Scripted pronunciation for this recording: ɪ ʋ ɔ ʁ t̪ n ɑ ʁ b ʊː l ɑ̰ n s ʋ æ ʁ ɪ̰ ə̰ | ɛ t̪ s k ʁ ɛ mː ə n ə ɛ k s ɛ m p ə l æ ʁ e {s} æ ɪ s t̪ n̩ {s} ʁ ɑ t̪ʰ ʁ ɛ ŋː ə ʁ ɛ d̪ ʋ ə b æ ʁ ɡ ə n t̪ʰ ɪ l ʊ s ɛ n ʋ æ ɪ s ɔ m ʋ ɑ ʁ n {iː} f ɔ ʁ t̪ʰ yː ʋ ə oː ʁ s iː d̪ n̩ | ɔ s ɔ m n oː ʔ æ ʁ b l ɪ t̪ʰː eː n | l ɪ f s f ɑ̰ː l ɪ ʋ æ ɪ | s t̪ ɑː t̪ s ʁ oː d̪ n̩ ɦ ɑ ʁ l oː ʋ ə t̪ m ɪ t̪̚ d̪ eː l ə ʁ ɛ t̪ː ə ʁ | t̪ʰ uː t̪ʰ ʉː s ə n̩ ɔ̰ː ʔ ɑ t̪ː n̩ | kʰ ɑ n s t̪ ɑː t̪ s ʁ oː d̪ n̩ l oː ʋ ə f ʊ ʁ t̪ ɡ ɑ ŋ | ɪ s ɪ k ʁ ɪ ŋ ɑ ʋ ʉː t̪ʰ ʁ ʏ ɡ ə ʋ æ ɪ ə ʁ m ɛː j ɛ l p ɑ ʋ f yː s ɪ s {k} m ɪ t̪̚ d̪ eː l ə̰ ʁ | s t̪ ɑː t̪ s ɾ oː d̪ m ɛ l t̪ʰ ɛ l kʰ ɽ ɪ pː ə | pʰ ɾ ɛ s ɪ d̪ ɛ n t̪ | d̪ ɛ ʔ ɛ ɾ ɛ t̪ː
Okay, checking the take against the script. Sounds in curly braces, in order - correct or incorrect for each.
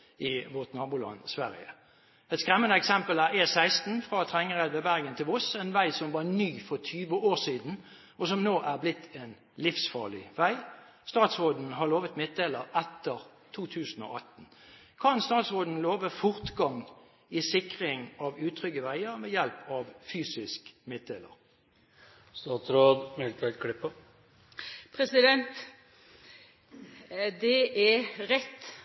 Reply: correct, incorrect, incorrect, correct

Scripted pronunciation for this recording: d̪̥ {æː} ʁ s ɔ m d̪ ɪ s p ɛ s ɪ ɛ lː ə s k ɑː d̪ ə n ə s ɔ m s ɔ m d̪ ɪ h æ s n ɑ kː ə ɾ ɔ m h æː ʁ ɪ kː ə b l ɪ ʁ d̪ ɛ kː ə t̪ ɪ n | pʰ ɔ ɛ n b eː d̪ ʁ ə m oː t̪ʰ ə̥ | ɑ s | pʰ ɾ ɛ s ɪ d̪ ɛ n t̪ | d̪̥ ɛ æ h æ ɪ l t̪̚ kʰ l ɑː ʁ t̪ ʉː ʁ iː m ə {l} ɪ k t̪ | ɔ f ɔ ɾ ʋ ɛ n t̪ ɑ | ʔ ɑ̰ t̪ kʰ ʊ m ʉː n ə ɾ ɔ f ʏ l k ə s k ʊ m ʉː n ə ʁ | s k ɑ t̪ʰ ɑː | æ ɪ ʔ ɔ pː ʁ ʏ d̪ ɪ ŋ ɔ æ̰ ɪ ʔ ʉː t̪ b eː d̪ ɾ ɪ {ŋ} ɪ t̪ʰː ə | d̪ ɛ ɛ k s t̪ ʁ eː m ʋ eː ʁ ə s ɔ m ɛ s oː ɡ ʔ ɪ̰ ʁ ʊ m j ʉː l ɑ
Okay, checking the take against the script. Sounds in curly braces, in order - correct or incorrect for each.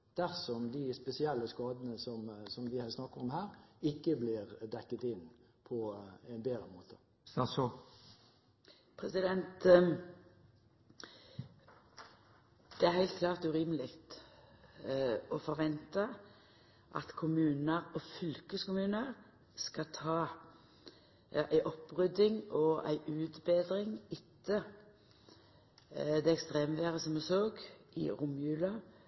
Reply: incorrect, correct, correct

